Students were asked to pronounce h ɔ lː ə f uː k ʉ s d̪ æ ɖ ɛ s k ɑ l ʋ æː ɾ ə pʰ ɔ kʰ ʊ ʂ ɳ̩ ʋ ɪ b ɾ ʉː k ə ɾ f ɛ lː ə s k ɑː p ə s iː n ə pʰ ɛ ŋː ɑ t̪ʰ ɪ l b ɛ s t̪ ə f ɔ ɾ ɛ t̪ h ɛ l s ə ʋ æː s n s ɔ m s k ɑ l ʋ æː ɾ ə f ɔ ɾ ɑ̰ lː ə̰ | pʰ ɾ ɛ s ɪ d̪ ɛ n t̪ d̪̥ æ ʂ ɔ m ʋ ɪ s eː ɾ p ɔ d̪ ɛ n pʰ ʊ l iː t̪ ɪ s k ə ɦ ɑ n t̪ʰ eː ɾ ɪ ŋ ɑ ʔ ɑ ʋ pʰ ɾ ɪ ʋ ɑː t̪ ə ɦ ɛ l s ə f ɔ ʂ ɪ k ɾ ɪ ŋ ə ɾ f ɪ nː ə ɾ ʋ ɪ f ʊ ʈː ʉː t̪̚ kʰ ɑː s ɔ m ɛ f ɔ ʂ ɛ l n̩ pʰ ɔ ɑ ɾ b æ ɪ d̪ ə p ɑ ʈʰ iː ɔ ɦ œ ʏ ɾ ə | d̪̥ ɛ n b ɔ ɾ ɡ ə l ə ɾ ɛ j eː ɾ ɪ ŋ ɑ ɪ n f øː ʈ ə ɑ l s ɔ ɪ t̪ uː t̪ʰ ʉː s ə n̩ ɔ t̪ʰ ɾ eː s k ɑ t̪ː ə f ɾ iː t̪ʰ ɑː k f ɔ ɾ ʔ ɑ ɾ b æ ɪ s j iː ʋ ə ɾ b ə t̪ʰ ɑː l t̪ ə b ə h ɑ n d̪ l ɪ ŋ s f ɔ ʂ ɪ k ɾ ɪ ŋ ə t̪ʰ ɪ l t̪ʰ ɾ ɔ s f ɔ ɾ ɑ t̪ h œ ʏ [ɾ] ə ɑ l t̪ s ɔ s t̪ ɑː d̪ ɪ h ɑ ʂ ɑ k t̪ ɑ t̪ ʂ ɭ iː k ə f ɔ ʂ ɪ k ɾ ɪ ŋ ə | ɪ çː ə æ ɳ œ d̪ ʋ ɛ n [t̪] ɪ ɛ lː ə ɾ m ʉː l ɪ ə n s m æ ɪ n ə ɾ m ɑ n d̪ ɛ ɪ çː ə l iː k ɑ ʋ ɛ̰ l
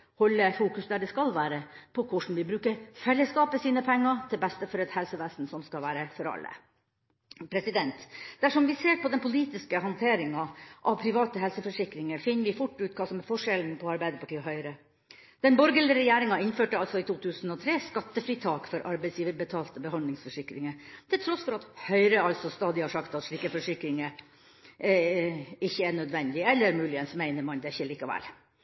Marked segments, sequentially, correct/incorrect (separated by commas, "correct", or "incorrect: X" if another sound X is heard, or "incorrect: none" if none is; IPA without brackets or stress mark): correct, incorrect: d̪